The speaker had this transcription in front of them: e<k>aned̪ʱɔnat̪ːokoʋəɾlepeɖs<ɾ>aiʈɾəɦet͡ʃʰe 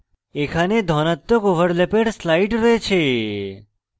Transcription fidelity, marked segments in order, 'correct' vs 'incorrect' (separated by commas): incorrect, incorrect